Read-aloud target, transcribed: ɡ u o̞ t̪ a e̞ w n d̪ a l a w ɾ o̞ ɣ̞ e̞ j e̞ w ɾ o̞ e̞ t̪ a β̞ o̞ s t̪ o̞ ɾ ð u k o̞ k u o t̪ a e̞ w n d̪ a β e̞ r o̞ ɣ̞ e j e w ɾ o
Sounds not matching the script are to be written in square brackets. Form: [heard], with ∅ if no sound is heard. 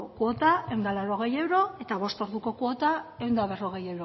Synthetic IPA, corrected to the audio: [k] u o̞ t̪ a e̞ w n d̪ a l a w ɾ o̞ ɣ̞ e̞ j e̞ w ɾ o̞ e̞ t̪ a β̞ o̞ s t̪ o̞ ɾ ð u k o̞ k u o t̪ a e̞ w n d̪ a β e̞ r o̞ ɣ̞ e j e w ɾ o

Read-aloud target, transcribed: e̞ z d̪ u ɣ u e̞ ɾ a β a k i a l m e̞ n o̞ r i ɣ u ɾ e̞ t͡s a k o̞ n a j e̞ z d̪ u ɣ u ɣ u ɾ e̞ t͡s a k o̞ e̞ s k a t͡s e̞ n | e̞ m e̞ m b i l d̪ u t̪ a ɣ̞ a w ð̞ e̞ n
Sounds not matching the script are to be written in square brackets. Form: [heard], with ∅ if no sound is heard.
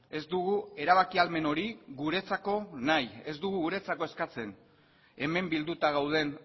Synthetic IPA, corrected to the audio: e̞ z d̪ u ɣ u e̞ ɾ a β a k i a l m e̞ n o̞ [ɾ] i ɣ u ɾ e̞ t͡s a k o̞ n a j e̞ z d̪ u ɣ u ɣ u ɾ e̞ t͡s a k o̞ e̞ s k a t͡s e̞ n | e̞ m e̞ m b i l d̪ u t̪ a ɣ̞ a w ð̞ e̞ n

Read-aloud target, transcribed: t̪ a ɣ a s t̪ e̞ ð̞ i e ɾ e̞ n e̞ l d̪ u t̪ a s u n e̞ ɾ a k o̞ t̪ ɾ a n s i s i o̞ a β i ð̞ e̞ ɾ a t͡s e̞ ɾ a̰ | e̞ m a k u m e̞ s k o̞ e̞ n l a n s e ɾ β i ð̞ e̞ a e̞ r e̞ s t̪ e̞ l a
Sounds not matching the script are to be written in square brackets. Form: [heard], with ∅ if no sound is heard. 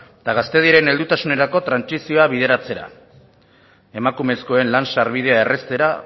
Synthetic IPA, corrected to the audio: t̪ a ɣ a s t̪ e̞ ð̞ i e ɾ e̞ n e̞ l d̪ u t̪ a s u n e̞ ɾ a k o̞ t̪ ɾ a n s i s i o̞ a β i ð̞ e̞ ɾ a t͡s e̞ ɾ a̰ | e̞ m a k u m e̞ s k o̞ e̞ n l a n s [a] ɾ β i ð̞ e̞ a e̞ r e̞ s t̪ e̞ [ɾ] a

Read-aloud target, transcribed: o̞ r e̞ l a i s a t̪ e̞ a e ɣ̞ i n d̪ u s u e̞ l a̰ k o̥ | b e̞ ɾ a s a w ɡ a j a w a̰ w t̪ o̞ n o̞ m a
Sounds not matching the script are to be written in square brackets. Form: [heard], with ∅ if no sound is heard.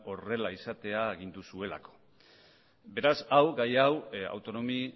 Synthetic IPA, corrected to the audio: o̞ r e̞ l a i s a t̪ e̞ a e ɣ̞ i n d̪ u s u e̞ l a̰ k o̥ | b e̞ ɾ a s a w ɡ a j a w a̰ w t̪ o̞ n o̞ m [i]

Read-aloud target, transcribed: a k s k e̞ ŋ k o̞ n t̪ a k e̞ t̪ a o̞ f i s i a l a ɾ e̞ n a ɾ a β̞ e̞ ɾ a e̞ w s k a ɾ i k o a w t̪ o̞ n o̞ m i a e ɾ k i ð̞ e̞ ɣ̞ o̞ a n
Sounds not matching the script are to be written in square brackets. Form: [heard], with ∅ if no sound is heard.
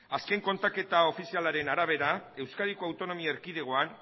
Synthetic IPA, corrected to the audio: a [∅] s k e̞ ŋ k o̞ n t̪ a k e̞ t̪ a o̞ f i s i a l a ɾ e̞ n a ɾ a β̞ e̞ ɾ a e̞ w s k a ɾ i k o a w t̪ o̞ n o̞ m i a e ɾ k i ð̞ e̞ ɣ̞ o̞ a n

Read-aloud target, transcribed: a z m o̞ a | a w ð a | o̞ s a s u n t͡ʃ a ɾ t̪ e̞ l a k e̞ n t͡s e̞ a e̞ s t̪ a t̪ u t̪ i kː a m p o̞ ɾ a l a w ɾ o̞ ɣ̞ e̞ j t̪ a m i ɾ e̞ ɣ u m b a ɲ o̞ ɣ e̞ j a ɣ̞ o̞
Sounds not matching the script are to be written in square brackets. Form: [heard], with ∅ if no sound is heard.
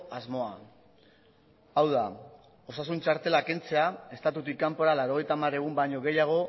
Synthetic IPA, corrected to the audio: a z m o̞ a | a w ð a | o̞ s a s u n t͡ʃ a ɾ t̪ e̞ l a k e̞ n t͡s e̞ a e̞ s t̪ a t̪ u t̪ i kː a m p o̞ ɾ a l a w ɾ o̞ ɣ̞ e̞ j t̪ a m [a] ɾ e̞ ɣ u m b a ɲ o̞ ɣ e̞ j a ɣ̞ o̞

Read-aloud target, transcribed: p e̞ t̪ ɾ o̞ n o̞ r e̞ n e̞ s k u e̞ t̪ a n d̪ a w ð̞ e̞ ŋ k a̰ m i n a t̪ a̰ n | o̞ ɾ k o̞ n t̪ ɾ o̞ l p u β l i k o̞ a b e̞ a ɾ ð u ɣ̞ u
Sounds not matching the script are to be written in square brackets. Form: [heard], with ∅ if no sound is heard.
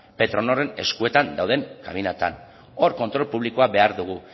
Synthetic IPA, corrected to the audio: p e̞ t̪ ɾ o̞ n o̞ r e̞ n e̞ s k u e̞ t̪ a n d̪ a w ð̞ e̞ ŋ k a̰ m i n a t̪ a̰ n | o̞ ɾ k o̞ n t̪ ɾ o̞ l p u β l i k o̞ a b e̞ a ɾ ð u ɣ̞ u

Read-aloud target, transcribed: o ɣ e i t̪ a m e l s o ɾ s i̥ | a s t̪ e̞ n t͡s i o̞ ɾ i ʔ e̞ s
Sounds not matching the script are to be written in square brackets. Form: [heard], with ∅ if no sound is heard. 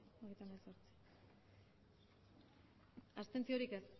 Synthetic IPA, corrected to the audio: o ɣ e [j] t̪ a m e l s o ɾ [t͡s] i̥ | a s t̪ e̞ n t͡s i o̞ ɾ i [k] e̞ s

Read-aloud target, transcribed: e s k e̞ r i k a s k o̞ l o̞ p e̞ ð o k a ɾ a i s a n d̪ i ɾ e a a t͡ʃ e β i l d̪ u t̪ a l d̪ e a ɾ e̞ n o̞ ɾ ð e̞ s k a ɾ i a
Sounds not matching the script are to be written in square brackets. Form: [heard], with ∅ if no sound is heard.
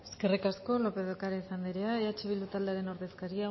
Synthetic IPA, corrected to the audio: e s k e̞ r i k a s k o̞ l o̞ p e̞ ð o k a ɾ a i s a n d̪ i ɾ e a a t͡ʃ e β i l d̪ u t̪ a l d̪ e a ɾ e̞ n o̞ ɾ ð e̞ s k a ɾ i a

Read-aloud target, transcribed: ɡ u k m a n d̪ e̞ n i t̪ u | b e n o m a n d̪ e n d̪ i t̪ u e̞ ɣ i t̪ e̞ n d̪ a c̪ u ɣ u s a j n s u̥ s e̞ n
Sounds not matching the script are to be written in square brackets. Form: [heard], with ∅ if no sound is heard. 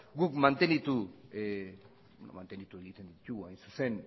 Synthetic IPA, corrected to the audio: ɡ u k m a n [t̪] e̞ n i t̪ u | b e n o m a n [t̪] e n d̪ i t̪ u e̞ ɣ i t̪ e̞ n d̪ [i] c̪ u ɣ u [∅] a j n s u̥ s e̞ n

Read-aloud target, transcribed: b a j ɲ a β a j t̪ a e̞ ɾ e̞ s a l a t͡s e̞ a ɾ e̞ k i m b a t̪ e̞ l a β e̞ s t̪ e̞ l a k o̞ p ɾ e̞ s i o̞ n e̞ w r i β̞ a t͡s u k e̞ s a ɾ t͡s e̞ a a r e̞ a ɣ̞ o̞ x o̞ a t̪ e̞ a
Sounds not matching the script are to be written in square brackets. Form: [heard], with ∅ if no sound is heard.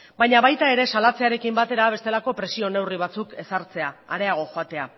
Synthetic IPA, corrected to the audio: b a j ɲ a β a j t̪ a e̞ ɾ e̞ s a l a t͡s e̞ a ɾ e̞ k i m b a t̪ e̞ [ɾ] a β e̞ s t̪ e̞ l a k o̞ p ɾ e̞ s i o̞ n e̞ w r i β̞ a t͡s u k e̞ s a ɾ t͡s e̞ a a [ɾ] e̞ a ɣ̞ o̞ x o̞ a t̪ e̞ a

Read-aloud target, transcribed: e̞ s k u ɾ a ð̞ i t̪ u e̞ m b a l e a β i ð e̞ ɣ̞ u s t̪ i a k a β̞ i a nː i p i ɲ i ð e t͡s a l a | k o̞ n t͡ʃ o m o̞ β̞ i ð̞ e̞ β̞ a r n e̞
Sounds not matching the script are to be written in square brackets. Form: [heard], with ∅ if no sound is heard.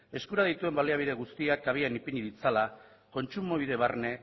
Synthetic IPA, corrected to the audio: e̞ s k u ɾ a ð̞ i t̪ u e̞ m b a l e a β i ð e̞ ɣ̞ u s t̪ i a k a β̞ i a [n] i p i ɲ i ð [i] t͡s a l a | k o̞ n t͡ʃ [u] m o̞ β̞ i ð̞ e̞ β̞ a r n e̞

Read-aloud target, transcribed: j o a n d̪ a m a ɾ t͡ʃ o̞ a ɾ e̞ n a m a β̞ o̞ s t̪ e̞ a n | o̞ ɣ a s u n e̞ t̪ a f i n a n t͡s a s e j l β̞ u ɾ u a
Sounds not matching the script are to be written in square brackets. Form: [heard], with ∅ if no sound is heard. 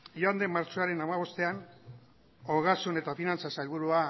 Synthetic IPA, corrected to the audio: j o a n d̪ [e] m a ɾ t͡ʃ o̞ a ɾ e̞ n a m a β̞ o̞ s t̪ e̞ a n | o̞ ɣ a s u n e̞ t̪ a f i n a n t͡s a s [a] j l β̞ u ɾ u a

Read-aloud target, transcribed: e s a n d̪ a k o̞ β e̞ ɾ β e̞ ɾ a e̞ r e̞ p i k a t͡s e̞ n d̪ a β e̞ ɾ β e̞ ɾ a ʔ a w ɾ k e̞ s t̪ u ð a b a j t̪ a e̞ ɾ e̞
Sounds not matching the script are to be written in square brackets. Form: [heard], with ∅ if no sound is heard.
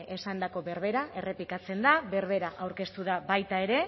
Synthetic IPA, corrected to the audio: e s a n d̪ a k o̞ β e̞ ɾ β e̞ ɾ a e̞ r e̞ p i k a t͡s e̞ n d̪ a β e̞ ɾ β e̞ ɾ a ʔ a w ɾ k e̞ s t̪ u ð a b a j t̪ a e̞ ɾ e̞

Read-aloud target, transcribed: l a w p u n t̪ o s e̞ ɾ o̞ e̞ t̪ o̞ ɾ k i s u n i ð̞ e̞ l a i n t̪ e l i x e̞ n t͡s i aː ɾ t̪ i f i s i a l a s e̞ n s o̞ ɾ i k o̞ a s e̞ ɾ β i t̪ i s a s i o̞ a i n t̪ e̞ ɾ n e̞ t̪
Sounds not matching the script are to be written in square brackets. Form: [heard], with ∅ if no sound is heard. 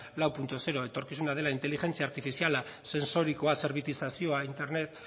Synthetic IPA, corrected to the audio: l a w p u n t̪ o s e̞ ɾ o̞ e̞ t̪ o̞ ɾ k i s u n [a] ð̞ e̞ l a i n t̪ e l i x e̞ n t͡s i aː ɾ t̪ i f i s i a l a s e̞ n s o̞ ɾ i k o̞ a s e̞ ɾ β i t̪ i s a s i o̞ a i n t̪ e̞ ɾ n e̞ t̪

